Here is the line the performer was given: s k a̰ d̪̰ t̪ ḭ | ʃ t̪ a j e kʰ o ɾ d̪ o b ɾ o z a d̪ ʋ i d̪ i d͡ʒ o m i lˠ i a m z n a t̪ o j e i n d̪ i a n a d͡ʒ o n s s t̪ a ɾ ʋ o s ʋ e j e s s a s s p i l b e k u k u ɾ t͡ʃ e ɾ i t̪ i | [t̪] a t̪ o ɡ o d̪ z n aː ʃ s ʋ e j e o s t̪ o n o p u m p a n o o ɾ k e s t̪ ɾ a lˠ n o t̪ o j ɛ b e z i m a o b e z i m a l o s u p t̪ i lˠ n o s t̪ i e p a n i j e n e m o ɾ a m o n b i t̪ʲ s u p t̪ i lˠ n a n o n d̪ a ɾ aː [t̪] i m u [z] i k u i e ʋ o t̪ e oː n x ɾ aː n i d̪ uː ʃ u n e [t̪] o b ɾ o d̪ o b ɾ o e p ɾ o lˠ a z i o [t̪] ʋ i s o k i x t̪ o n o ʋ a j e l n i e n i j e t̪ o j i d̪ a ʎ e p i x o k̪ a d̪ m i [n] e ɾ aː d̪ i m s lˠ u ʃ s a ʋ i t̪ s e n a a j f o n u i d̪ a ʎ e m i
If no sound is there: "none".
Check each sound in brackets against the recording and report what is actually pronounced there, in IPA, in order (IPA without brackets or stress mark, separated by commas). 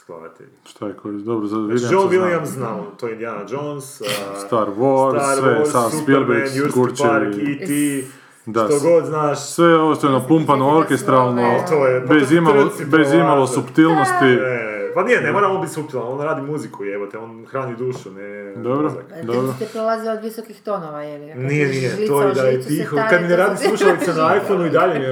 d̪, d̪, z, d̪, d̪, n